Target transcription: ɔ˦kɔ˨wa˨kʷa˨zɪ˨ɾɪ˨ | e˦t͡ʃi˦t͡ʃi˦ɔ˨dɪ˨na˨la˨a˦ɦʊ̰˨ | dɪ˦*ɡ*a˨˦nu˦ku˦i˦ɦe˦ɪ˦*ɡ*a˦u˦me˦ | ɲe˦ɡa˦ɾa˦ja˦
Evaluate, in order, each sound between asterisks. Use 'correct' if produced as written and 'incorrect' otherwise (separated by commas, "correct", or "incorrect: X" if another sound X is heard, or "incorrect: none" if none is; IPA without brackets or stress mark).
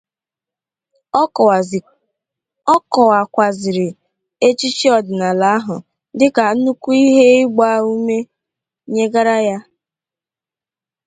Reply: incorrect: k, incorrect: ɡ͡b